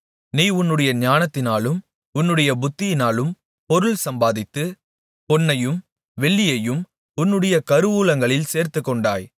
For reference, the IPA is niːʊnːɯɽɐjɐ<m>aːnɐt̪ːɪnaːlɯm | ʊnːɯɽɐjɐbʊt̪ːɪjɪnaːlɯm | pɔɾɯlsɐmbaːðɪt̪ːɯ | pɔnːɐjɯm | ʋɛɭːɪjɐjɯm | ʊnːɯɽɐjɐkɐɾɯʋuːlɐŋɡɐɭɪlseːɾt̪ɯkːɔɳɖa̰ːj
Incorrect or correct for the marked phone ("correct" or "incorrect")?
incorrect